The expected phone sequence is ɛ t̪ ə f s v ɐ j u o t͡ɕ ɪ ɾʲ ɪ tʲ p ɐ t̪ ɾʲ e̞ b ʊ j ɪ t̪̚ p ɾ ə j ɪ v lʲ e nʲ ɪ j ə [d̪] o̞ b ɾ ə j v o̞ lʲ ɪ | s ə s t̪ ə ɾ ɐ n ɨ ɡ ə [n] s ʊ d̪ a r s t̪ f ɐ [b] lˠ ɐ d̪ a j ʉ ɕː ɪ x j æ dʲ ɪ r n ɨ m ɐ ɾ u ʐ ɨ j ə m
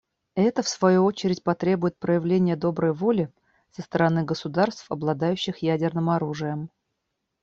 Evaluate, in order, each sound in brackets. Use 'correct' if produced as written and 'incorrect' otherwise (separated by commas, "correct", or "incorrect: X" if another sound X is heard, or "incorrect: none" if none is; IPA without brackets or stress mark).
correct, incorrect: none, correct